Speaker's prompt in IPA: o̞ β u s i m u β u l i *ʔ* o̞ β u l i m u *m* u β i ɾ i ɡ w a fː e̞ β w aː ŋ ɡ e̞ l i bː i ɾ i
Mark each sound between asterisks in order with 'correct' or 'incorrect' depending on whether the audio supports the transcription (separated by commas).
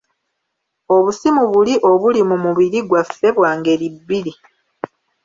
correct, correct